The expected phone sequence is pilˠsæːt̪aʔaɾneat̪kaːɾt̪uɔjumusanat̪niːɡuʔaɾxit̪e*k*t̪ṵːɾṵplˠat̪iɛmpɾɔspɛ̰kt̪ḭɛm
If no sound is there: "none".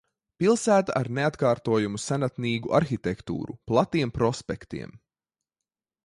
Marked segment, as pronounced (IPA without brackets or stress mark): k